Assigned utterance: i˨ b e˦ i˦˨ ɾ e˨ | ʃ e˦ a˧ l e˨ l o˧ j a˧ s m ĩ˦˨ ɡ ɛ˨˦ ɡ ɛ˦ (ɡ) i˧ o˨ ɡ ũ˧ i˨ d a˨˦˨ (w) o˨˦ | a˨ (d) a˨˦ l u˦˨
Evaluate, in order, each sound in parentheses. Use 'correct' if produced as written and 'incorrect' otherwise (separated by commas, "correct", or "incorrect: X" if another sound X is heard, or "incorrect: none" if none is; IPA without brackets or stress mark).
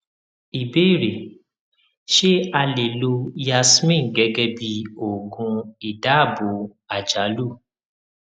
incorrect: b, incorrect: b, incorrect: d͡ʒ